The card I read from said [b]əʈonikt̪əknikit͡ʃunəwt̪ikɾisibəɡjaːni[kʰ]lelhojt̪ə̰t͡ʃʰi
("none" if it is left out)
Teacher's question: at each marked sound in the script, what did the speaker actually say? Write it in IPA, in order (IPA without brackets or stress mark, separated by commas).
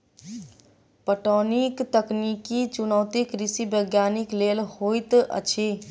p, k